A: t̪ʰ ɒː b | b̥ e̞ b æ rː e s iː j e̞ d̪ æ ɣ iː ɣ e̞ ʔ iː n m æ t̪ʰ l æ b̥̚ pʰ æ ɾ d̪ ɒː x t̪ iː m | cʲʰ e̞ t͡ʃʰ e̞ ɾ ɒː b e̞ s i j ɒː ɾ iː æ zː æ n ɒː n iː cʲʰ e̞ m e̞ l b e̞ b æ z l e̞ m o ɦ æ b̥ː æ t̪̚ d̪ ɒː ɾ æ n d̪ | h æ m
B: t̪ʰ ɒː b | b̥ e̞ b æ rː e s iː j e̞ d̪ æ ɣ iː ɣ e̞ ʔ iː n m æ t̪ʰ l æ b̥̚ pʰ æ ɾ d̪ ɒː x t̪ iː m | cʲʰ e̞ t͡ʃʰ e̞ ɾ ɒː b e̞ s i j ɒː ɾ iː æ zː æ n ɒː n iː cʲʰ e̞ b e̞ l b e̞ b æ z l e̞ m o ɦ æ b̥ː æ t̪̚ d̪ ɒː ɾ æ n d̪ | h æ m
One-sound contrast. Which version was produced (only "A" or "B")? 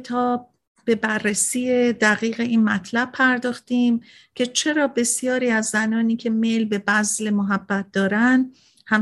A